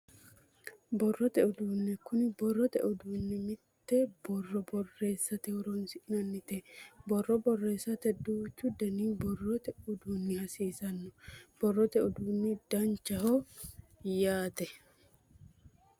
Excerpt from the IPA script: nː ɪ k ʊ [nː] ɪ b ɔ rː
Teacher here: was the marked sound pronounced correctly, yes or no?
no